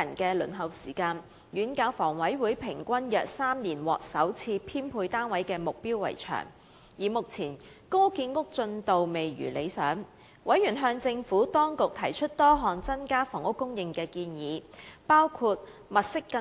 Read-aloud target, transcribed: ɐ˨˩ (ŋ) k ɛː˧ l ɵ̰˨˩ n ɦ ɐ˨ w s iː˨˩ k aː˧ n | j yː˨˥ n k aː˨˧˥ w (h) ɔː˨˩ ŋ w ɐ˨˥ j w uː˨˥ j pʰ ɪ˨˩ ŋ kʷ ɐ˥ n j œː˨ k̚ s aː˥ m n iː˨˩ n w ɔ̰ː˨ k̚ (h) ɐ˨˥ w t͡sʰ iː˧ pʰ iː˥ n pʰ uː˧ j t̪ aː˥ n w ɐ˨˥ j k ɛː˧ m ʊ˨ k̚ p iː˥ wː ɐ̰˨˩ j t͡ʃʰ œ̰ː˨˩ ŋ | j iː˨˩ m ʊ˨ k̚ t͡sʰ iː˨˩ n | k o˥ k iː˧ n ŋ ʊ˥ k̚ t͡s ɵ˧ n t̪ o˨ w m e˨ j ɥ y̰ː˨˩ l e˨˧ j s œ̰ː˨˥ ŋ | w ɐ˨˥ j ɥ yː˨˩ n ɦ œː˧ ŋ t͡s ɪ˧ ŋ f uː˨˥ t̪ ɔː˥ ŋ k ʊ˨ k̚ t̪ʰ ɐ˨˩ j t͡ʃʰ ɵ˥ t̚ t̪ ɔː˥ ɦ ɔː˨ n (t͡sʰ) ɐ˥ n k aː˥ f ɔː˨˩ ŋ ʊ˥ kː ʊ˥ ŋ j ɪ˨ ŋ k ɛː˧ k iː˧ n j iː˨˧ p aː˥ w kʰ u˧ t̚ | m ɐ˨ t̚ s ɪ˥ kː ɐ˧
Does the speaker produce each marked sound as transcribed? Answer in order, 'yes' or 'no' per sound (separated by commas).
no, no, no, no